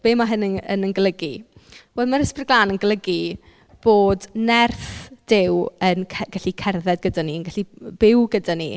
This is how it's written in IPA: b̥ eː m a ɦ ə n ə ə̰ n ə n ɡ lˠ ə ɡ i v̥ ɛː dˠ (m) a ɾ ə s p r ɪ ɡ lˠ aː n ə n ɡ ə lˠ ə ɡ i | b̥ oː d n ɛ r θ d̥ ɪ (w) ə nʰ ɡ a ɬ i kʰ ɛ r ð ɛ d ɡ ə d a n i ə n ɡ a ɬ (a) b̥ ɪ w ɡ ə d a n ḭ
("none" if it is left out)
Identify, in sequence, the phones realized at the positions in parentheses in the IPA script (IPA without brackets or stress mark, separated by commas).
m, w, i